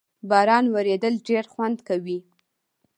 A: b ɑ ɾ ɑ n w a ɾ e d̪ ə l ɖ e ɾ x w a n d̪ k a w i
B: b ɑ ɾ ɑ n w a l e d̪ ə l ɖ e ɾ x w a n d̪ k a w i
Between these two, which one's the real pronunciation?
A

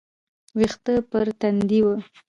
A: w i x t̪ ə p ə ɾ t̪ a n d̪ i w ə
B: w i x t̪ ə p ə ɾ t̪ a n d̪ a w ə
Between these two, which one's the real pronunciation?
A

